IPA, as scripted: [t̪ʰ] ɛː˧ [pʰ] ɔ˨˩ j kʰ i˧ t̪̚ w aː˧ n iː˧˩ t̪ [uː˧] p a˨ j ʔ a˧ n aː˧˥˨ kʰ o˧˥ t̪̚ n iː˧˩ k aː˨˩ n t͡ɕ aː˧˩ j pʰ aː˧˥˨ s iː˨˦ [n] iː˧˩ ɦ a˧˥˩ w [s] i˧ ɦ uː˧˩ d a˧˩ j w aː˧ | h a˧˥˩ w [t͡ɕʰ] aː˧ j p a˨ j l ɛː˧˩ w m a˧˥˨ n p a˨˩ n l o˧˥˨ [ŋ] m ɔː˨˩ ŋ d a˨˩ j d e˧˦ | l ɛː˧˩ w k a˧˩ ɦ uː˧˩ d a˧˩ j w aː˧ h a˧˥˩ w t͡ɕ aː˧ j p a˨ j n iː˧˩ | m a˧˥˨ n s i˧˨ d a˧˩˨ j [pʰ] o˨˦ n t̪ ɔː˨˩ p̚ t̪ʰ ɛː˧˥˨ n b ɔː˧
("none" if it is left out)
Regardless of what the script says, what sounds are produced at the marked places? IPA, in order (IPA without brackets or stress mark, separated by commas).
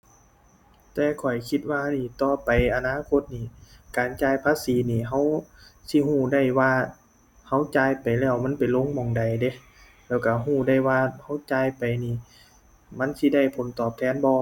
t̪, kʰ, ɔː˧, n, s, t͡ɕ, ŋ, pʰ